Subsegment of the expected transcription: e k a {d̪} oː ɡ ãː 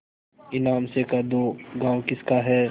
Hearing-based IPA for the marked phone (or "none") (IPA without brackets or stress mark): d̪